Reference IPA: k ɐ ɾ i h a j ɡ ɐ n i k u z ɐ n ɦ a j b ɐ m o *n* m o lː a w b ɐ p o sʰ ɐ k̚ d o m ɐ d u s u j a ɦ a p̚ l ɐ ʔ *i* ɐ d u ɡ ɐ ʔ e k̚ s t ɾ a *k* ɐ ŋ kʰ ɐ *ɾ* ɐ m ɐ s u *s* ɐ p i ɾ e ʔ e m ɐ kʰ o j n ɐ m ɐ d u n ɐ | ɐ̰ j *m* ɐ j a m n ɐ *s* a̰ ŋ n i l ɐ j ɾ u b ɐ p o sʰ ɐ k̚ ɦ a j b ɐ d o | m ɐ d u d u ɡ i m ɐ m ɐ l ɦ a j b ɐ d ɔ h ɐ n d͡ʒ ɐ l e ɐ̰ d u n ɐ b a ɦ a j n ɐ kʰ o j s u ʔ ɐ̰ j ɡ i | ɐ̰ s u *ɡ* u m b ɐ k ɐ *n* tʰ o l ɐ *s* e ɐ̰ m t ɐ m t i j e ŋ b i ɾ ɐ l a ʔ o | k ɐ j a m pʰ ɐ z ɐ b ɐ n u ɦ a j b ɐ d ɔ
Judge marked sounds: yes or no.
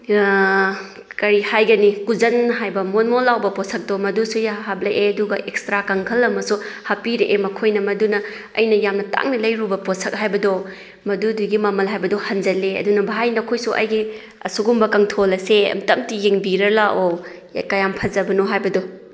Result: yes, no, yes, no, no, no, no, yes, no, yes

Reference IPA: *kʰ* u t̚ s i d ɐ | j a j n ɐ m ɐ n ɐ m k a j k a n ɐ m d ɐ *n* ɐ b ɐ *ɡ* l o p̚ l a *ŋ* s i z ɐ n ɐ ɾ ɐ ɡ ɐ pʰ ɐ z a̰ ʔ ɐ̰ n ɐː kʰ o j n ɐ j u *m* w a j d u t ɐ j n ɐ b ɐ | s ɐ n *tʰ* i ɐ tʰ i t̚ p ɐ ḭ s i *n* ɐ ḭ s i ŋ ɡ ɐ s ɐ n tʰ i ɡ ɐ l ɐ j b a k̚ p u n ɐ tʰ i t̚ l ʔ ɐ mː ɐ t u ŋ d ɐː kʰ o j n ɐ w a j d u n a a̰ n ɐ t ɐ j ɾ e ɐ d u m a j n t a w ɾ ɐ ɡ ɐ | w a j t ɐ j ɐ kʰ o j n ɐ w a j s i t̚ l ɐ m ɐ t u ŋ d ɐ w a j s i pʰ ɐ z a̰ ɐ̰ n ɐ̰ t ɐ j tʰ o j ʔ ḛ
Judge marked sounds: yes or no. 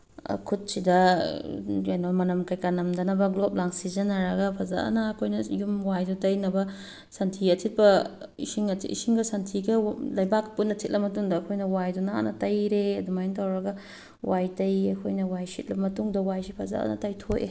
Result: yes, yes, yes, yes, yes, yes, no

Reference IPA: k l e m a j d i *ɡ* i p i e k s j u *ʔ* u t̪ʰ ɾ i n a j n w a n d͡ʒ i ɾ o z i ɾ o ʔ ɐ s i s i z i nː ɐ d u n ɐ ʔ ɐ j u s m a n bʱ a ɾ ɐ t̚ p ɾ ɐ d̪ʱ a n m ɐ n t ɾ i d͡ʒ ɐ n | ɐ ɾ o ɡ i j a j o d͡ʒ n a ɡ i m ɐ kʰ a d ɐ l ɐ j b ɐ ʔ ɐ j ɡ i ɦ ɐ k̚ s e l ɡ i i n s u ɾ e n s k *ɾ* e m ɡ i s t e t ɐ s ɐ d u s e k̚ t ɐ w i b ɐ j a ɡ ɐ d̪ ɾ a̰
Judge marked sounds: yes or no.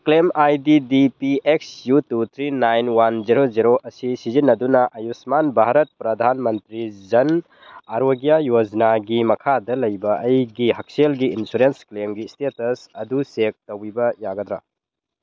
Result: no, no, no

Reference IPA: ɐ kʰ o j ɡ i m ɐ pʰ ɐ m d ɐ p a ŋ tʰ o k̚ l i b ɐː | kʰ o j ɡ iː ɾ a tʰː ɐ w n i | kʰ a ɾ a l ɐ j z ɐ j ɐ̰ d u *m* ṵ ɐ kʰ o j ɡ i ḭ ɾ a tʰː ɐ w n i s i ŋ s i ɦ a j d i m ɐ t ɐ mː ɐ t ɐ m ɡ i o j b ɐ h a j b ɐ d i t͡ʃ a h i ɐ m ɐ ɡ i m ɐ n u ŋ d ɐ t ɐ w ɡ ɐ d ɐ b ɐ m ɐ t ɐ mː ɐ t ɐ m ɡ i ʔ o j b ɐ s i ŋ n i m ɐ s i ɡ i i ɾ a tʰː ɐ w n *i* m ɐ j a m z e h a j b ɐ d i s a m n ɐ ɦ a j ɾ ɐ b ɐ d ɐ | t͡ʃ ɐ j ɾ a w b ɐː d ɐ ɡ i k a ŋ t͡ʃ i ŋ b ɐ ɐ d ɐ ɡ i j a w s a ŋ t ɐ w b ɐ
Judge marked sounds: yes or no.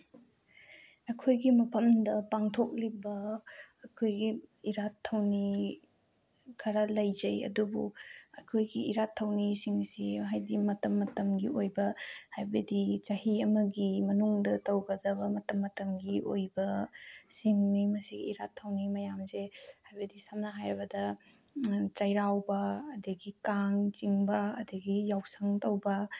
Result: no, yes

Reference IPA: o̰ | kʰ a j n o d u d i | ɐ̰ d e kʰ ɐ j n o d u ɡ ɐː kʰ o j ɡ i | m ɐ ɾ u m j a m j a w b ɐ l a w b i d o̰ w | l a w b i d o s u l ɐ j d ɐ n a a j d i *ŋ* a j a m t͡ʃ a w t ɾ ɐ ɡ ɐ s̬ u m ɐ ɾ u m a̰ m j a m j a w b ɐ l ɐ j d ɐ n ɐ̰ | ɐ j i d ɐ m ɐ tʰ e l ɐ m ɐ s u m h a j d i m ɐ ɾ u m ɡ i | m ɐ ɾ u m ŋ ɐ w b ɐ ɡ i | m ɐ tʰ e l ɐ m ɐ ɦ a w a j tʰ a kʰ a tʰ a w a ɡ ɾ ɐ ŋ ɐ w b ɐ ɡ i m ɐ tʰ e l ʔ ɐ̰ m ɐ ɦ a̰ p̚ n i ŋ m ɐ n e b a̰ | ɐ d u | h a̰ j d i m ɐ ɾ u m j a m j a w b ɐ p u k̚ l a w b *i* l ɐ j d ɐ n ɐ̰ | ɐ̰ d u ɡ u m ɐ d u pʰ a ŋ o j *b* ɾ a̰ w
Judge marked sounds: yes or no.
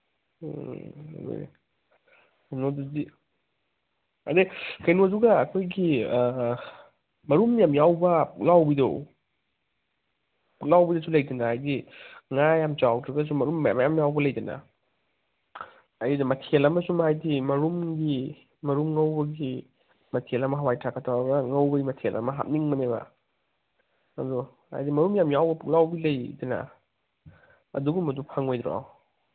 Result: yes, yes, no

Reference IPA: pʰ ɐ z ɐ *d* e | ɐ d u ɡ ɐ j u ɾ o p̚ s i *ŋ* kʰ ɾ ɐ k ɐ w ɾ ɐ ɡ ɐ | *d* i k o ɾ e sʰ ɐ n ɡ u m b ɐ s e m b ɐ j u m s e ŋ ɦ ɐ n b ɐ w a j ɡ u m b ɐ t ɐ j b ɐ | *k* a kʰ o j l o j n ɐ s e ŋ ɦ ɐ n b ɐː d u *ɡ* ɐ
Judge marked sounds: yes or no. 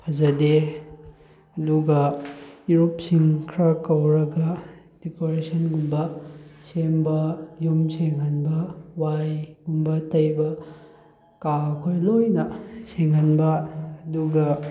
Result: yes, yes, yes, yes, yes

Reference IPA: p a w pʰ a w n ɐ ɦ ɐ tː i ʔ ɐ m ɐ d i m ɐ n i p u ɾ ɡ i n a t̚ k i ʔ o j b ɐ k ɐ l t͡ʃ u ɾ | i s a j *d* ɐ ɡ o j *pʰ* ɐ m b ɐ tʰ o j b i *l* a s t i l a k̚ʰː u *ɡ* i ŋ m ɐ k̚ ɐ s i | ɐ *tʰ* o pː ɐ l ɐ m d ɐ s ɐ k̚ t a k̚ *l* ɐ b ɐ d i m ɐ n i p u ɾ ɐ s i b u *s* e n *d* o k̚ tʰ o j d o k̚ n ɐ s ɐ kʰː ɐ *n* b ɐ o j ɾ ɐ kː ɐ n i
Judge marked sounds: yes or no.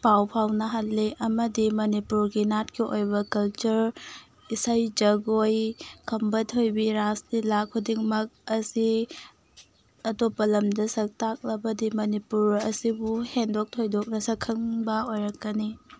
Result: no, no, no, no, no, yes, no, yes, no

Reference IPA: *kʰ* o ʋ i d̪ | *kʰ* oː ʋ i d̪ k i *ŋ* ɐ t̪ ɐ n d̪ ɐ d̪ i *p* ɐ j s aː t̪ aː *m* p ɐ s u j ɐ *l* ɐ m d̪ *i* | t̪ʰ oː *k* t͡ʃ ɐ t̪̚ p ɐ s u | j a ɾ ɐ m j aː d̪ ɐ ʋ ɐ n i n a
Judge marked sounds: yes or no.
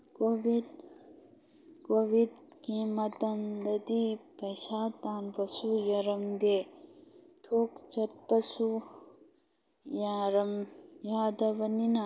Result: no, no, no, yes, no, no, no, yes

